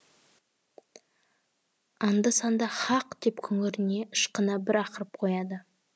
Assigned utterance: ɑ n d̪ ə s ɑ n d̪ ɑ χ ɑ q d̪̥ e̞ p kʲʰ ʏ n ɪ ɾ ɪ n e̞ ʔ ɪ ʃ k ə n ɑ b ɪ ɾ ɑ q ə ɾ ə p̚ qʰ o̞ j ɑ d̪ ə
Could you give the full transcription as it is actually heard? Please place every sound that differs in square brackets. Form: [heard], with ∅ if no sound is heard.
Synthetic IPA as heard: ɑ n d̪ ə s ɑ n d̪ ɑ χ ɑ q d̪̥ e̞ p kʲʰ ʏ [ŋ] ɪ ɾ ɪ n e̞ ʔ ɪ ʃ [q] ə n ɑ b ɪ ɾ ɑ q ə ɾ ə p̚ qʰ o̞ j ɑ d̪ ə